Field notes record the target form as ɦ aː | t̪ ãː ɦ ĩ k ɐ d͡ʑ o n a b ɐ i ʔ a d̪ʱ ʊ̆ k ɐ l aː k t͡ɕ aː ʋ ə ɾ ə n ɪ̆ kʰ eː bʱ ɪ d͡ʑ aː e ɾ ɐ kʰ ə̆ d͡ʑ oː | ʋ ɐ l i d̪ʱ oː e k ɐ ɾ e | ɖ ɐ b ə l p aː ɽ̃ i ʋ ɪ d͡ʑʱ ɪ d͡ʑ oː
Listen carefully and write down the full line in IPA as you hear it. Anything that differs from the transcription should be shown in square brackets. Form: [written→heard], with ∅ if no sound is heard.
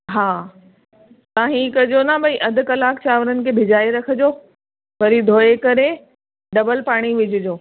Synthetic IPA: ɦ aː | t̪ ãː ɦ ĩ k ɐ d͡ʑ o n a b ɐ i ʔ [a→ɐ] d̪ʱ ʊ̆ k ɐ l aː k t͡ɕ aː ʋ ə ɾ ə n ɪ̆ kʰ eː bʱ ɪ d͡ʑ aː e ɾ ɐ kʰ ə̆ d͡ʑ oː | ʋ ɐ [l→ɾ] i d̪ʱ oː e k ɐ ɾ e | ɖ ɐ b ə l p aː ɽ̃ i ʋ ɪ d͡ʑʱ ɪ d͡ʑ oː